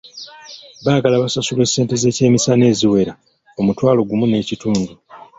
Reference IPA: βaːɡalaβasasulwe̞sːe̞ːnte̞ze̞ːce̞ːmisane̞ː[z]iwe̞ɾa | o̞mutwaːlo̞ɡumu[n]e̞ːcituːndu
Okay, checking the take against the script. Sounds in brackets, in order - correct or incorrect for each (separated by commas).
correct, correct